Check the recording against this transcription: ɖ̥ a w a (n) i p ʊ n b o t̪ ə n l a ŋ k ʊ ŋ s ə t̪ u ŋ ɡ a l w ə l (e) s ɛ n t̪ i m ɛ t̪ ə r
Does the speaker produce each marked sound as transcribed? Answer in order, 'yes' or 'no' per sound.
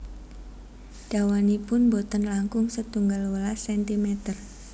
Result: yes, no

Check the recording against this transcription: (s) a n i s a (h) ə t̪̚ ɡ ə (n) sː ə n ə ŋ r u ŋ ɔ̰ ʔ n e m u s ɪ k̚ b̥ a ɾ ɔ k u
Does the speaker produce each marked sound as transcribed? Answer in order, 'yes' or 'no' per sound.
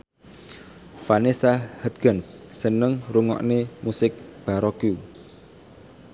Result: no, yes, yes

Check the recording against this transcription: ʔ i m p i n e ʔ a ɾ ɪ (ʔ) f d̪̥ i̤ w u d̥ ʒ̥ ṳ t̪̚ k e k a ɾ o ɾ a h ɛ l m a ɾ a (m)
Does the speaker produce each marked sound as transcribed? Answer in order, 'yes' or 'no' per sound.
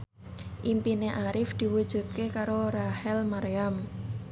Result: no, yes

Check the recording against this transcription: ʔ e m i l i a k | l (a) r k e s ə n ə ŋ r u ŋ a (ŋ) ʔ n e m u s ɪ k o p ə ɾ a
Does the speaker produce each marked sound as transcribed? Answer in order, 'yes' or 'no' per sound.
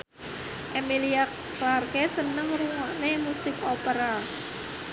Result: yes, no

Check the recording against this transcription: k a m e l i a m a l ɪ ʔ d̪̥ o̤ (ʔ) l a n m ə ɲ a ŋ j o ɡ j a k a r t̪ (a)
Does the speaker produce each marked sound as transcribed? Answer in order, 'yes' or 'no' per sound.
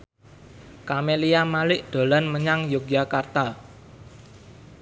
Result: no, yes

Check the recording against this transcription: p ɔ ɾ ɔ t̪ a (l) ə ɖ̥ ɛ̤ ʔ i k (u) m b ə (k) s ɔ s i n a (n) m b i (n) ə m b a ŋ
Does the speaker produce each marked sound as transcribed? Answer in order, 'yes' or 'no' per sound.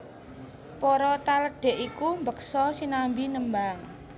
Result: yes, yes, yes, no, yes

